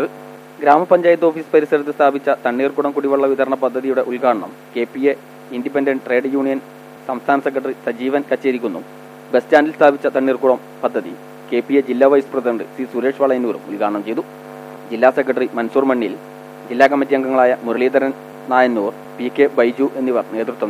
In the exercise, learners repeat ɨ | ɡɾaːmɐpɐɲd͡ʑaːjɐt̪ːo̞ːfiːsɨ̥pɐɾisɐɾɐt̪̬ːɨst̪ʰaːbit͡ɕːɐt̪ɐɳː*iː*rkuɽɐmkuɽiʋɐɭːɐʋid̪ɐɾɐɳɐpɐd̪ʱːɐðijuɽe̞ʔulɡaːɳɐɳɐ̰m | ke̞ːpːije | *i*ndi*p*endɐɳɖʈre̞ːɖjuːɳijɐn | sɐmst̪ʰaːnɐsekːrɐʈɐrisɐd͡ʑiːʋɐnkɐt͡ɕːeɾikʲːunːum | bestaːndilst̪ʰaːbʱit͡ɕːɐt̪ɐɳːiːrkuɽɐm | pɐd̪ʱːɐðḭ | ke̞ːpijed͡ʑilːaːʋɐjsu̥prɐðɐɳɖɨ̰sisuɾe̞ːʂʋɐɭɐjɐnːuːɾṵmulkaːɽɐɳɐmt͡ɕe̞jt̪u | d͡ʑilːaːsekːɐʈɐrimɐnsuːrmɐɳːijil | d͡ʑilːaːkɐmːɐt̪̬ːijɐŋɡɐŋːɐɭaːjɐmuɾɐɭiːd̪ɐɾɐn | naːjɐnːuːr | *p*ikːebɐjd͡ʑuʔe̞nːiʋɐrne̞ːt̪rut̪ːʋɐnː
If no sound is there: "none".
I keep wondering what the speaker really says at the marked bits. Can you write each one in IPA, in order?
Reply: iː, i, p, p

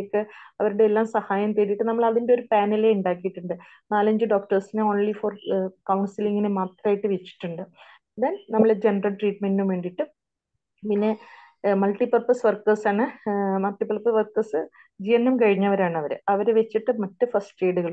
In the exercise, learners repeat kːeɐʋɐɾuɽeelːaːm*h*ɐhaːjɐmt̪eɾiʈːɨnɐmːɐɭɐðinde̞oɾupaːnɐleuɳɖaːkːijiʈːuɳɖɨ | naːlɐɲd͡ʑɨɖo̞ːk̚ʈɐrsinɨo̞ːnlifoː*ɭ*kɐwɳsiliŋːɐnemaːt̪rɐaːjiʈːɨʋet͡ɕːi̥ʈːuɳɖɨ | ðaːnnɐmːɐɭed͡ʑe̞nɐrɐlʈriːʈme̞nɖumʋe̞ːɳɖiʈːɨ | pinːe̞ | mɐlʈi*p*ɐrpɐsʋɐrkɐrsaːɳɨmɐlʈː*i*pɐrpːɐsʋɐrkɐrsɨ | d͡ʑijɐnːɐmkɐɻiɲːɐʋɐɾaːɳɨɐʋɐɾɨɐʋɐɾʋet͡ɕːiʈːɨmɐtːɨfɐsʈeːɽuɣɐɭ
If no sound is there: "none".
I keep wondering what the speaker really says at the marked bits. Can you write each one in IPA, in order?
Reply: s, r, p, i

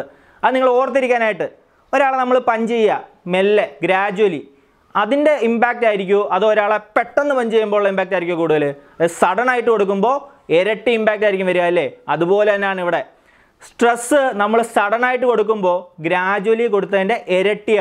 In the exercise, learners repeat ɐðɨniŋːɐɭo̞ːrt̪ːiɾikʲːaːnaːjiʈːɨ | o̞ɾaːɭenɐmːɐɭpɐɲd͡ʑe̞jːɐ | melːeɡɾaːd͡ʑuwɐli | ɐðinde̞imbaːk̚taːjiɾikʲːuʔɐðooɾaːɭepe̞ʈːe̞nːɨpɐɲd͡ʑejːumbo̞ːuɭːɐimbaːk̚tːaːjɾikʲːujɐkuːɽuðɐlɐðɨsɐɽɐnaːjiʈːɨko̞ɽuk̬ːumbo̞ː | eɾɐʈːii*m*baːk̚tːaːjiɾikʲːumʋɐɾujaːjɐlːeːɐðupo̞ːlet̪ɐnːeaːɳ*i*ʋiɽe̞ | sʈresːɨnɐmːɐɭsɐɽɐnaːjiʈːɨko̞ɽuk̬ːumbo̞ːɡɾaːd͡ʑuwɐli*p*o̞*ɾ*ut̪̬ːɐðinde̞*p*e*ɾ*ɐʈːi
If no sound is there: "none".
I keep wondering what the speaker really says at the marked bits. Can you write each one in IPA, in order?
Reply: m, i, k, ɽ, ʔ, ɾ

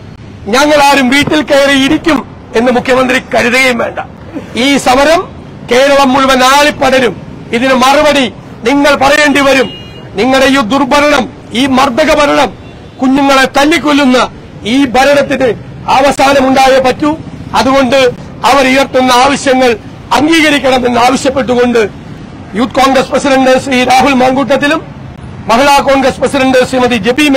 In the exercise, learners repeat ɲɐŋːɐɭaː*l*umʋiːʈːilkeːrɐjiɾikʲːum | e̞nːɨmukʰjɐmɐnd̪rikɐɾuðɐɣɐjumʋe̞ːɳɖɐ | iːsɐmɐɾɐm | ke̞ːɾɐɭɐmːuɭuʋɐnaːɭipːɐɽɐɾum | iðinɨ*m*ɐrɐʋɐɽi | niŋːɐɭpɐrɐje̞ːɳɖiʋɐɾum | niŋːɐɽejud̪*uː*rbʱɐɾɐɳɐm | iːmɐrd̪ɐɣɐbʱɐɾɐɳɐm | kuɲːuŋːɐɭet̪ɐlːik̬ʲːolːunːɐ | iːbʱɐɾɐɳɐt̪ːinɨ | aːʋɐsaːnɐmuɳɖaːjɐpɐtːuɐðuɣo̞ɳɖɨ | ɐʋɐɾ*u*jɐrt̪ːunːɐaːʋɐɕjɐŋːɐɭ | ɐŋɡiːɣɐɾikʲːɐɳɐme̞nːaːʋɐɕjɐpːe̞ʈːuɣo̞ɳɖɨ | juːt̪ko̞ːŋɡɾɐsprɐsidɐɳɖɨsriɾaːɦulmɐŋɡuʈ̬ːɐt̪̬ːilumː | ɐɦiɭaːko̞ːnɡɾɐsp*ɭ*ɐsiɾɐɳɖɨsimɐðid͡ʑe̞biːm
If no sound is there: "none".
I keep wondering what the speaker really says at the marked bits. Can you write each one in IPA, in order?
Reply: ɾ, m, u, u, r

